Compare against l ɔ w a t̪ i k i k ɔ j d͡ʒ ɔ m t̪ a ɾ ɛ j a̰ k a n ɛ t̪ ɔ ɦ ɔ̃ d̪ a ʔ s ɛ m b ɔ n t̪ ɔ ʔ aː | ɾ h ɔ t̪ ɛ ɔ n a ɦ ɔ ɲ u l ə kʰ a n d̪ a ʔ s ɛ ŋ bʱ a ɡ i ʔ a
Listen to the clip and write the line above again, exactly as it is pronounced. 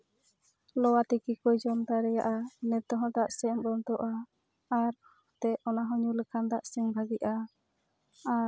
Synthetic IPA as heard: l ɔ w a t̪ i k i k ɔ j d͡ʒ ɔ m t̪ a ɾ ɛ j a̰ ʔ a n ɛ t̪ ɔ ɦ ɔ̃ d̪ a ʔ s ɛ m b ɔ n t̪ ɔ ʔ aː | ɾ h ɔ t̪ ɛ ɔ n a ɦ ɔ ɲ u l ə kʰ a n d̪ a ʔ s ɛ ŋ bʱ a ɡ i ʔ a

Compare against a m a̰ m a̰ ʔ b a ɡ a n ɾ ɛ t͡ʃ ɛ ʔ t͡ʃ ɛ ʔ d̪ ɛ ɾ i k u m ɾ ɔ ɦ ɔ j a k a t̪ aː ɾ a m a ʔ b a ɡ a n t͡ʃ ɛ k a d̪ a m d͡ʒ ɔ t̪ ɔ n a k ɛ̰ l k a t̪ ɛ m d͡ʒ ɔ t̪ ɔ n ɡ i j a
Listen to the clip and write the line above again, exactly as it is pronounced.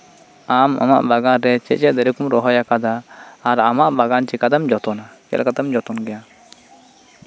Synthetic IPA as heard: a m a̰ m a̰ ʔ b a ɡ a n ɾ ɛ t͡ʃ ɛ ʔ t͡ʃ ɛ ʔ d̪ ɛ ɾ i k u m ɾ ɔ ɦ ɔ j a k a d̪ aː ɾ a m a ʔ b a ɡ a n t͡ʃ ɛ k a d̪ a m d͡ʒ ɔ t̪ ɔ n a k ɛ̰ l k a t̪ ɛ m d͡ʒ ɔ t̪ ɔ n ɡ ɛ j a

